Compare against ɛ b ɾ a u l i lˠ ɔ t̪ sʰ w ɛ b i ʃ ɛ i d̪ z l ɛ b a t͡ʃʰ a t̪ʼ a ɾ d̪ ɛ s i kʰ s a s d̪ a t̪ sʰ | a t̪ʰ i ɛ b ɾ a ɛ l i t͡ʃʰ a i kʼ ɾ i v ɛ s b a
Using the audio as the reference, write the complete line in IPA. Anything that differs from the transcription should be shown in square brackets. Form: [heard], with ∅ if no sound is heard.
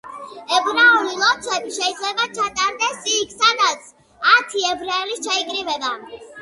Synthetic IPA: ɛ b ɾ a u l i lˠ ɔ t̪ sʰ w ɛ b i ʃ ɛ i d̪ z l ɛ b a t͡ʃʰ a t̪ʼ a ɾ d̪ ɛ s i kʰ s a [∅] d̪ a t̪ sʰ | a t̪ʰ i ɛ b ɾ a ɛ l i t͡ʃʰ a i kʼ ɾ i v ɛ [∅] b a